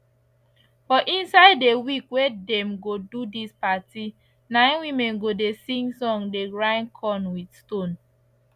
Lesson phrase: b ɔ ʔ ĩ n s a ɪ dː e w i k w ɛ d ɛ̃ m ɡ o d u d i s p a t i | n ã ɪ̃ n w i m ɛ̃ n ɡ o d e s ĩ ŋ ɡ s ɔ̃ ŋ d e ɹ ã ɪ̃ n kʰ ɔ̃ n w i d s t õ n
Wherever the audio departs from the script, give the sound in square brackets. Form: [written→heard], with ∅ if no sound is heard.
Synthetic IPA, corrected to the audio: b ɔ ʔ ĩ n s a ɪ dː e w i k w [ɛ→e] d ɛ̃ m ɡ o d u d i s p a t i | n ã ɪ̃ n w i m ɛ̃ n ɡ o d e s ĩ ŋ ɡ s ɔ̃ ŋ d e ɹ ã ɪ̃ n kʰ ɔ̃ n w i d s t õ n